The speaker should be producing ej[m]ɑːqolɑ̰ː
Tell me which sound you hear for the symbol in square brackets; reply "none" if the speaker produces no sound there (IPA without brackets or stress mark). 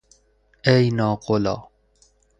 n